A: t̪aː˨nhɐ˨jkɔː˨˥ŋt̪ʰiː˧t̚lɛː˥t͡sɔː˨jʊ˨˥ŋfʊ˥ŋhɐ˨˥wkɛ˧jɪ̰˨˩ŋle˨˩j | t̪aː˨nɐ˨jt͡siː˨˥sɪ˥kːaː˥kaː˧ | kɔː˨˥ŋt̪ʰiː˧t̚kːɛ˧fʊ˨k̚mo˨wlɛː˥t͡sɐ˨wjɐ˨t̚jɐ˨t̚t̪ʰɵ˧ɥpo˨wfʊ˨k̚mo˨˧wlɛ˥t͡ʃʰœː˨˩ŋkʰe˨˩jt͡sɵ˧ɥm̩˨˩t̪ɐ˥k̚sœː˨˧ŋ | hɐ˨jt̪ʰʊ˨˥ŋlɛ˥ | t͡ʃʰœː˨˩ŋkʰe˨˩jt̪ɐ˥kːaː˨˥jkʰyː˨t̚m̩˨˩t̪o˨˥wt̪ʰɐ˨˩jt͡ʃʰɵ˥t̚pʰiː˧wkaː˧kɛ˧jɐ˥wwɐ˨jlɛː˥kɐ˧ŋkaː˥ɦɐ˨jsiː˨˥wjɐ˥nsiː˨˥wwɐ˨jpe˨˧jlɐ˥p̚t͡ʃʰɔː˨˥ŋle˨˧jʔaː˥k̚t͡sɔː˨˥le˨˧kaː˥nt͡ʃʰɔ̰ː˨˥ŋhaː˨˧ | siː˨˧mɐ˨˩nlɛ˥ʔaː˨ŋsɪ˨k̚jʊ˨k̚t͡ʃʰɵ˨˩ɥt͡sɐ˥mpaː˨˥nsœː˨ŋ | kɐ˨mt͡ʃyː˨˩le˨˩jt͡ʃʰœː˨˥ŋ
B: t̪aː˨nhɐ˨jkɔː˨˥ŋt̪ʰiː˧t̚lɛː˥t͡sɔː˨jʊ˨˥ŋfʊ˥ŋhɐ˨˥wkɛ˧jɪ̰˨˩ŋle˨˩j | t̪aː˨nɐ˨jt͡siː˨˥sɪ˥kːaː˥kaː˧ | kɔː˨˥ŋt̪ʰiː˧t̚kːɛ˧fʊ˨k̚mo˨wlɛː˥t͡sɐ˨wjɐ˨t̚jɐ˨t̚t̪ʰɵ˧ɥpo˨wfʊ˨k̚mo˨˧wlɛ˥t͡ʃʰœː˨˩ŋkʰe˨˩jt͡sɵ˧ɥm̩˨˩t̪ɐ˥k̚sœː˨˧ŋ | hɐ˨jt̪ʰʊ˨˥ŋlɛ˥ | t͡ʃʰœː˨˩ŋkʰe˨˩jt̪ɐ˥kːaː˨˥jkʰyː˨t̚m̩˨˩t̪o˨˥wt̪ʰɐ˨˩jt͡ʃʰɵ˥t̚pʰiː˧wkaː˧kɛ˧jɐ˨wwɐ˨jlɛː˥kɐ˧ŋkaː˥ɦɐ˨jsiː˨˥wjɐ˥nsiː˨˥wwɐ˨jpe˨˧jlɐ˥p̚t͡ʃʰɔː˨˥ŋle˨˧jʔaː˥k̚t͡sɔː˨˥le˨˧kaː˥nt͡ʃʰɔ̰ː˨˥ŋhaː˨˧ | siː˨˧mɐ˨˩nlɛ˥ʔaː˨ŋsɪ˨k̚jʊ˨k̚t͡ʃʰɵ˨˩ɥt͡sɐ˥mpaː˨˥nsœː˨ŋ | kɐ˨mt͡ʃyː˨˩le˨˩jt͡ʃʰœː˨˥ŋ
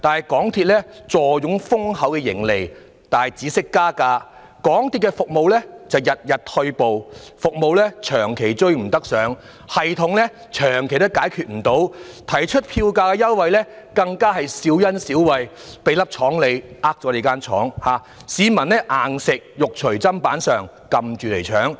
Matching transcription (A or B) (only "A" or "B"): A